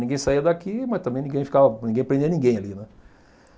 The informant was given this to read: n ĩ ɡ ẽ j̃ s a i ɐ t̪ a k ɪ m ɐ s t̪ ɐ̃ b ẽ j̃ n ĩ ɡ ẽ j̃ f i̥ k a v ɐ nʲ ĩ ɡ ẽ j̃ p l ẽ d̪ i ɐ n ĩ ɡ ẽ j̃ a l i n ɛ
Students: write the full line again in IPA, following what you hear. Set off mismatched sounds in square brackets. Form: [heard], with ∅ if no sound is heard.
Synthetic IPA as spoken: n ĩ ɡ ẽ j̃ s a i ɐ [d̪] a k [i] m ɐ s t̪ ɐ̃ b ẽ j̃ n ĩ ɡ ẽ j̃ f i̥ k a v ɐ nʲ ĩ ɡ ẽ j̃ p [ɾ] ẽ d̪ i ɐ n ĩ ɡ ẽ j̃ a l i n ɛ